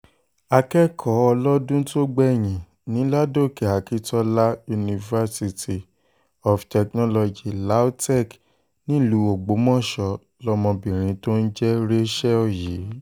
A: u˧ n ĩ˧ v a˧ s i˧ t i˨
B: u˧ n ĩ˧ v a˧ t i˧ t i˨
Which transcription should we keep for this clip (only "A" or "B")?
A